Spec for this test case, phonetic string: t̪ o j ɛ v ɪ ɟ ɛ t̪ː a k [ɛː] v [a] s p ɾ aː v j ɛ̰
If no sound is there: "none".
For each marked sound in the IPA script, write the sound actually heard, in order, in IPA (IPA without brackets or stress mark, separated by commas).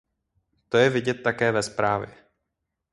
ɛː, ɛ